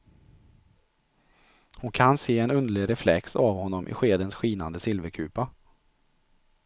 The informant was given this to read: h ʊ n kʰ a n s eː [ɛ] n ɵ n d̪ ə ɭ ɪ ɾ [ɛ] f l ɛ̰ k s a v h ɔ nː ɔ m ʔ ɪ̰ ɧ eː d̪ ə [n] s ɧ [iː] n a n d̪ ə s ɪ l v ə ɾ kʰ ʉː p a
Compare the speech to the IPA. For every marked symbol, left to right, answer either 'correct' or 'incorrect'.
correct, correct, correct, correct

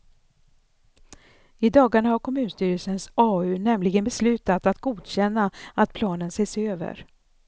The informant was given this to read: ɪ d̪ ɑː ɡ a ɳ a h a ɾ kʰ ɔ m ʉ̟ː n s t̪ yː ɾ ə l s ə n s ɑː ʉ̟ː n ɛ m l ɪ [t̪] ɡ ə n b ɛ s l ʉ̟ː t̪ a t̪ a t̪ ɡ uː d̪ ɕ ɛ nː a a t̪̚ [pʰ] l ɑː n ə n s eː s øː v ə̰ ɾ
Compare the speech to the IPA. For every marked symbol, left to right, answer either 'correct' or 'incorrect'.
incorrect: none, correct

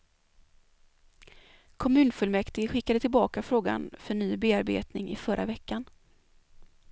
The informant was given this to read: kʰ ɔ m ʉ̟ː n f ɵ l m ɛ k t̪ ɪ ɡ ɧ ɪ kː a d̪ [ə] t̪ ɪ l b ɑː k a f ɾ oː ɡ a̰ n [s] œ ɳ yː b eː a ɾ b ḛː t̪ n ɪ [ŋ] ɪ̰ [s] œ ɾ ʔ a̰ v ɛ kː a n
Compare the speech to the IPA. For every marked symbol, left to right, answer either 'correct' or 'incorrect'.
correct, incorrect: f, correct, incorrect: f

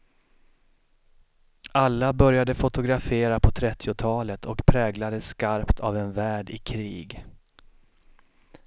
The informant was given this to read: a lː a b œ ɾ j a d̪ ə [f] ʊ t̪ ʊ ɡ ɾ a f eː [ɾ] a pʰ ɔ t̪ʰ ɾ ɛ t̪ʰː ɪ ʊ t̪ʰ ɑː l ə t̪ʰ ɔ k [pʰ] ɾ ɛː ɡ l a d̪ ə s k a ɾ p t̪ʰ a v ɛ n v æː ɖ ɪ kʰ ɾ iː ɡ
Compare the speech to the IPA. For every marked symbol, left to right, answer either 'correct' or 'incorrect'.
correct, correct, correct

